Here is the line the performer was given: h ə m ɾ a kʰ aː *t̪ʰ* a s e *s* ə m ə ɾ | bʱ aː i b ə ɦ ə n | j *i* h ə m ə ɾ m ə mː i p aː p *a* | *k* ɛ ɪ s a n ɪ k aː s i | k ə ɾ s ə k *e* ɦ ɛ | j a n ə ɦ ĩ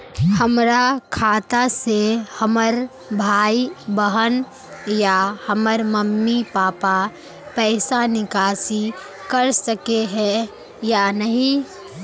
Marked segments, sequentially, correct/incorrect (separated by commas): incorrect, incorrect, incorrect, correct, incorrect, correct